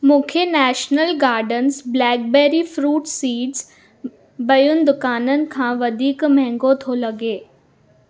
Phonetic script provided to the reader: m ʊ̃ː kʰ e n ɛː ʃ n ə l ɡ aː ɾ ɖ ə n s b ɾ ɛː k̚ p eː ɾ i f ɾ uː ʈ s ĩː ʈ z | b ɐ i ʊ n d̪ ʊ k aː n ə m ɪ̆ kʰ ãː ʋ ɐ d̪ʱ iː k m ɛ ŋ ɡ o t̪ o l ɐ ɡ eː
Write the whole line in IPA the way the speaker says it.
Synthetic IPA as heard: m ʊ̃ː kʰ e n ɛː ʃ n ə l ɡ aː ɾ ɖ ə n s b l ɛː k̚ b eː ɾ i f ɾ uː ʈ s iː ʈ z | b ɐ j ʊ n d̪ ʊ k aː n ə n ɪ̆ kʰ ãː ʋ ɐ d̪ʱ iː k m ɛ ŋ ɡ o t̪ʰ o l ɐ ɡ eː